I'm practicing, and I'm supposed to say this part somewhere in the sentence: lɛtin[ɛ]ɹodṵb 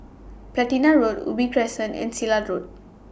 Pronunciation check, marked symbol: incorrect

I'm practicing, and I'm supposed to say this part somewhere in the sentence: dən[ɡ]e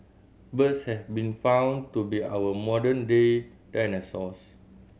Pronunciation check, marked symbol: incorrect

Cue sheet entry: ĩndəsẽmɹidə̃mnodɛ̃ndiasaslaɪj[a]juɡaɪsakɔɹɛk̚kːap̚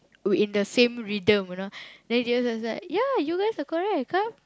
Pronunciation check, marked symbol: correct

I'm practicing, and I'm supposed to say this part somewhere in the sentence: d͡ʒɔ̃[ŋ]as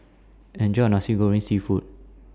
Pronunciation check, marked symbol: incorrect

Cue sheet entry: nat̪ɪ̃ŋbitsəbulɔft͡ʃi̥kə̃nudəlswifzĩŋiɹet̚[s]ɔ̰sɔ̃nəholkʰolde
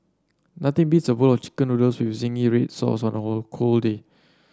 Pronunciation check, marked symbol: correct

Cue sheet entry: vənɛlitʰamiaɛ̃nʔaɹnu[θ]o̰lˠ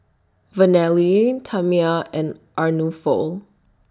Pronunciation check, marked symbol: incorrect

